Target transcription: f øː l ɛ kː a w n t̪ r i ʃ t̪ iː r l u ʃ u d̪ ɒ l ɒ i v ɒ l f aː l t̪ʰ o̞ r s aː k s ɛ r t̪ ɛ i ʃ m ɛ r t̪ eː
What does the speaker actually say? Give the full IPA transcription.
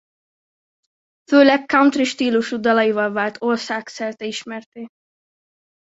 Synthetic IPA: f øː l ɛ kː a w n t̪ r i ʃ t̪ iː l u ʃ u d̪ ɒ l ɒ i v ɒ l v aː l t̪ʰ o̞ r s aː k s ɛ r t̪ ɛ i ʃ m ɛ r t̪ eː